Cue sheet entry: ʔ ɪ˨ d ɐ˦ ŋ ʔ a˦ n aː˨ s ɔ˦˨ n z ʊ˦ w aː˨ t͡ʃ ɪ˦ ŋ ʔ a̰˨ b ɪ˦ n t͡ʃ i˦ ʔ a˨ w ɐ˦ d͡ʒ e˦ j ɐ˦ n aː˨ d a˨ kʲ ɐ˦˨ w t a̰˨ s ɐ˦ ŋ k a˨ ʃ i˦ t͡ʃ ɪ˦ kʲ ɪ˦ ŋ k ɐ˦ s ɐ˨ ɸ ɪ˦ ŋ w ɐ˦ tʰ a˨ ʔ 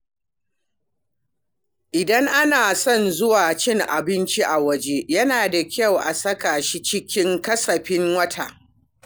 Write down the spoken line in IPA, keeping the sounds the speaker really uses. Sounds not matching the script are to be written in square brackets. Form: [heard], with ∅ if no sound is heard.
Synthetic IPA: ʔ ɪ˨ d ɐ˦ ŋ ʔ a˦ n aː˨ s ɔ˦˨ n z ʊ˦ w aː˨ t͡ʃ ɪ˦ ŋ ʔ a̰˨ b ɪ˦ n t͡ʃ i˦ ʔ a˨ w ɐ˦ d͡ʒ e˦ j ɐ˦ n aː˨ d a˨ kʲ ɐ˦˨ w [ʔ] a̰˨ s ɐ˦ [∅] k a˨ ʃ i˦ t͡ʃ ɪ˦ kʲ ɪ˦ ŋ k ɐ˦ s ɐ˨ ɸ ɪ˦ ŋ w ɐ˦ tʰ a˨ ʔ

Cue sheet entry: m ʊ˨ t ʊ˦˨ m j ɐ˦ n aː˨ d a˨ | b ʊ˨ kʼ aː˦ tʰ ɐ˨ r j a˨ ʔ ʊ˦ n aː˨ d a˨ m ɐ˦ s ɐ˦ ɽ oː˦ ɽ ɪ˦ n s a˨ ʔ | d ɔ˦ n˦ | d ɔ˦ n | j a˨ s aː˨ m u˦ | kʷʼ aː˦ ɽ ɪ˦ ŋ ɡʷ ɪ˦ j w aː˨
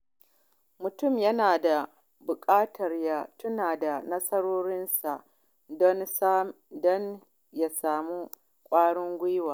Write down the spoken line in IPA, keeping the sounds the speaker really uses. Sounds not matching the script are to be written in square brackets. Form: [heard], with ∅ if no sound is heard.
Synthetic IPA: m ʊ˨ t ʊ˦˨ m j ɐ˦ n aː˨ d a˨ | b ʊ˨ kʼ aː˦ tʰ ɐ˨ r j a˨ [t] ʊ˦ n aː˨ d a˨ [n] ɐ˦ s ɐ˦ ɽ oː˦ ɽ ɪ˦ n s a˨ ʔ | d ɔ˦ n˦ | d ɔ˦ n | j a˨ s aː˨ m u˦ | kʷʼ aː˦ ɽ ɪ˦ ŋ ɡʷ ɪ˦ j w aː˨

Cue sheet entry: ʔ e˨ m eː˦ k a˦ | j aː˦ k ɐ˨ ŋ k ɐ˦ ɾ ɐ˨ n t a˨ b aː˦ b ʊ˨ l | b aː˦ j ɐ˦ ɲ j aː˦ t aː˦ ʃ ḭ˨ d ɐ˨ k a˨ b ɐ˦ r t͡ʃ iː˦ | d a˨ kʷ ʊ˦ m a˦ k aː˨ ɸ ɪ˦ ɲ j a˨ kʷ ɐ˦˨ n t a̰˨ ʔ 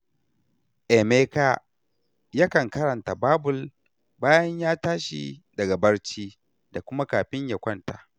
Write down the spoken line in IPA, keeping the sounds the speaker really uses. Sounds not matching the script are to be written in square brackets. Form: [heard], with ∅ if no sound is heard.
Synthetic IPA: ʔ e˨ m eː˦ k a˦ | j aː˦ k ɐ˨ ŋ k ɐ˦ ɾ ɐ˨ n t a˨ b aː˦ b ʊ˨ l | b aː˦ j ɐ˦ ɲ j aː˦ t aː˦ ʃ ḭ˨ d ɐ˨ [ɡ] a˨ b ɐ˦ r t͡ʃ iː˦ | d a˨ kʷ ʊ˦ m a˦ k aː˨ ɸ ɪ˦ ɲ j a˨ kʷ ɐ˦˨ n t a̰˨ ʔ

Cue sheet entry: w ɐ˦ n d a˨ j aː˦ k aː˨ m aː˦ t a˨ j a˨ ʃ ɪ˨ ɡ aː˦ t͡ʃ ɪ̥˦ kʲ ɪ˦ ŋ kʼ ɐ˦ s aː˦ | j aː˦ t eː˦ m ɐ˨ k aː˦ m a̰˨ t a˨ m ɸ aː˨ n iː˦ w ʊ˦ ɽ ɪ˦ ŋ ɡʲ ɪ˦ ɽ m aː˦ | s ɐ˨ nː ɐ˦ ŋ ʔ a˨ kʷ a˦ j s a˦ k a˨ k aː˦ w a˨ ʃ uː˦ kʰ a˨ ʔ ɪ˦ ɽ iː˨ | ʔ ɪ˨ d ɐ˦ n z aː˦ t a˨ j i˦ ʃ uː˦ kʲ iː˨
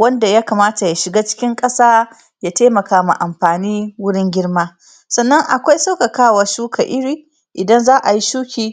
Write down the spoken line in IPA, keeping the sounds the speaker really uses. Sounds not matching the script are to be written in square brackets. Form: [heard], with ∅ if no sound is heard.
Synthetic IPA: w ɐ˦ n d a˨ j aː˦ k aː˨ m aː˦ t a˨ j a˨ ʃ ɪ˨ ɡ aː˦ t͡ʃ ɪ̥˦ kʲ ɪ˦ ŋ kʼ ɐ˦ s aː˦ | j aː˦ t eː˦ m ɐ˨ k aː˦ m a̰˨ [ʔ] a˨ m ɸ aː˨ n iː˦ w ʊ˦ ɽ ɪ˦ ŋ ɡʲ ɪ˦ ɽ m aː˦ | s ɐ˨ nː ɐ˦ ŋ ʔ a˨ kʷ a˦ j s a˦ k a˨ k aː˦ w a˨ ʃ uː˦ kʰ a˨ ʔ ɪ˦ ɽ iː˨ | ʔ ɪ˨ d ɐ˦ n z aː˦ [ʔ] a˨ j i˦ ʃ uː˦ kʲ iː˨

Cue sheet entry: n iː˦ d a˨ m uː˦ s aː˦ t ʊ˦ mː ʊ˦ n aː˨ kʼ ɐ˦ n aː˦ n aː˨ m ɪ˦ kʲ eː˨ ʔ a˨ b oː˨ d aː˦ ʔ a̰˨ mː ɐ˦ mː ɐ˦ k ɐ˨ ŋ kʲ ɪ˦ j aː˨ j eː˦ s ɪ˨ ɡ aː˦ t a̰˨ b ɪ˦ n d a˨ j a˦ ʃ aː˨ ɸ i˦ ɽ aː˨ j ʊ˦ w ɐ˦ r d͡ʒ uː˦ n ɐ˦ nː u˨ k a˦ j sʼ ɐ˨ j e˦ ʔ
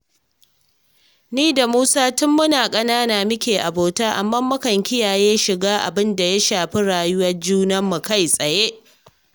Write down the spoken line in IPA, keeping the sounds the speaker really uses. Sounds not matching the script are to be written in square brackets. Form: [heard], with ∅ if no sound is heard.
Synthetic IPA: n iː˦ d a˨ m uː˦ s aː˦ t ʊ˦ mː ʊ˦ n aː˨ kʼ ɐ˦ n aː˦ n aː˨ m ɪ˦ kʲ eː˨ ʔ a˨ b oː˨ [t] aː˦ ʔ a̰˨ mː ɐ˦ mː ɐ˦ k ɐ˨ ŋ kʲ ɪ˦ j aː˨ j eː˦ [ʃ] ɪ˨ ɡ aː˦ [ʔ] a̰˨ b ɪ˦ n d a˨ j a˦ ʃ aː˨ ɸ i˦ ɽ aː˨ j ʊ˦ w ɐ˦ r d͡ʒ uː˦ n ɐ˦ [mː] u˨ k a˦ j sʼ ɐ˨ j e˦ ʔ

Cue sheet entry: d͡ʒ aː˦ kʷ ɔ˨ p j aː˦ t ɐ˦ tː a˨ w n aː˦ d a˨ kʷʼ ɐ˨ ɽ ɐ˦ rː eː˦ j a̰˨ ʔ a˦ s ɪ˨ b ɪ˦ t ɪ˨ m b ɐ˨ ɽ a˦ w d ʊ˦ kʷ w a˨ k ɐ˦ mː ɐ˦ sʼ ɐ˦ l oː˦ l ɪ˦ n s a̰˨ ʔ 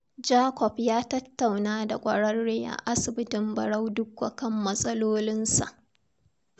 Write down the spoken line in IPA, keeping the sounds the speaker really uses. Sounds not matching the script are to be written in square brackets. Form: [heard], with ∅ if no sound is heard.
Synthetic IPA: d͡ʒ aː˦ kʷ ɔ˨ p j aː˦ t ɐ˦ tː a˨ w n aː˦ d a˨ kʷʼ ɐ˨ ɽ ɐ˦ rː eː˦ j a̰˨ ʔ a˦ s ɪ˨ b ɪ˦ t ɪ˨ m b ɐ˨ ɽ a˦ w d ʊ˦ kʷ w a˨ k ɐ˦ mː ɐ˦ sʼ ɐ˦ l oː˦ l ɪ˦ n s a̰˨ ʔ

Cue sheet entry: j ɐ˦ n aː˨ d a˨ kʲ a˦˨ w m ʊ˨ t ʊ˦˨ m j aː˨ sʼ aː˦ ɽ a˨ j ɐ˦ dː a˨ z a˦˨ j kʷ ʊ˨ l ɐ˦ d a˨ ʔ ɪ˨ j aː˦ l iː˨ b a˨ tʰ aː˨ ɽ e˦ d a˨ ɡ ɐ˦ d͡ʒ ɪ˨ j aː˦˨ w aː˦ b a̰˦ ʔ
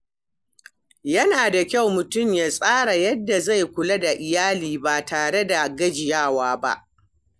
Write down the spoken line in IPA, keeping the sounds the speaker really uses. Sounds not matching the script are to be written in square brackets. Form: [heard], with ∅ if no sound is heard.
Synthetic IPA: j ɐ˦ n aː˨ d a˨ kʲ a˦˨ w m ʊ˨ t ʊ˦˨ m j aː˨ sʼ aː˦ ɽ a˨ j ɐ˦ dː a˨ z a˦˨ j kʷ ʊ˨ l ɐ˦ d a˨ ʔ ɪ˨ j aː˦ l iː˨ b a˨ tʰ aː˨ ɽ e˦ d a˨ ɡ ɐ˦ d͡ʒ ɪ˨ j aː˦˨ w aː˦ b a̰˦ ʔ

